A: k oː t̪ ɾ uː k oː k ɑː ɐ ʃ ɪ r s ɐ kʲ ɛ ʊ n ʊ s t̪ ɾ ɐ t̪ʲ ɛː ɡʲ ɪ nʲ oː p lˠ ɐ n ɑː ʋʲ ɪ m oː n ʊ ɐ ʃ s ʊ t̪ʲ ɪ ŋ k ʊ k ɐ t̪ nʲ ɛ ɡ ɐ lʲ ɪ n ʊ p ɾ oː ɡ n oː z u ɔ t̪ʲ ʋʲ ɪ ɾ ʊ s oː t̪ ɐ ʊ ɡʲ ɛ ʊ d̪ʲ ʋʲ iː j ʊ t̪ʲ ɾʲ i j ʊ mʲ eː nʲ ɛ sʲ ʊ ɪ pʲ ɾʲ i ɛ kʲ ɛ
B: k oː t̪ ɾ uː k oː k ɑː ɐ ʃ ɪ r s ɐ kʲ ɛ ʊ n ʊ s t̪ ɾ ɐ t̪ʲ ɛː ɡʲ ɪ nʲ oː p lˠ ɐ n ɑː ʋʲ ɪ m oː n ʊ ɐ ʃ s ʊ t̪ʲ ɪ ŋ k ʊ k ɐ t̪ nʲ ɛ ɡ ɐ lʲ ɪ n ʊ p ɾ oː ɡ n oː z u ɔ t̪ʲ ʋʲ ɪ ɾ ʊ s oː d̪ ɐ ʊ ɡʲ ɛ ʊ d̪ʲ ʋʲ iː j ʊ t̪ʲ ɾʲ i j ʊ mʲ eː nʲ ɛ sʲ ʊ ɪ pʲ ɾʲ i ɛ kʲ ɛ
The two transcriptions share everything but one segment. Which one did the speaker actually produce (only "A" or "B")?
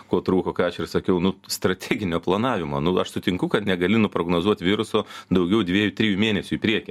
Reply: B